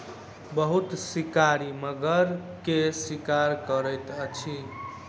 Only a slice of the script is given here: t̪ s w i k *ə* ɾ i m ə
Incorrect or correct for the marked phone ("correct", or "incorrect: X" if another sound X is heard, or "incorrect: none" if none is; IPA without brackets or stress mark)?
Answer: incorrect: a